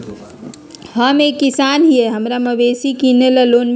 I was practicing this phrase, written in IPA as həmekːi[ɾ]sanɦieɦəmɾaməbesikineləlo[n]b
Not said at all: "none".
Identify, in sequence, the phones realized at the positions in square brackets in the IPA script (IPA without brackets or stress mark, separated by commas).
none, n